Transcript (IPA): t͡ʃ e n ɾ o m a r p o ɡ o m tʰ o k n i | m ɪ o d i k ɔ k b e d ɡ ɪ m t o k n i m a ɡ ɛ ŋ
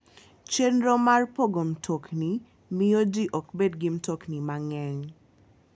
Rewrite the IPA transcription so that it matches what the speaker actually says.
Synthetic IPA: t͡ʃ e n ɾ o m a r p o ɡ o m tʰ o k n i | m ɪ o d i ʔ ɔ k b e d ɡ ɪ m t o k n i m a ŋ ɛ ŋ